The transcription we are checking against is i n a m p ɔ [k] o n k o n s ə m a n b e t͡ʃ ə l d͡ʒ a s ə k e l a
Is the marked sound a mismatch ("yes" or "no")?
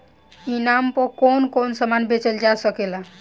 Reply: no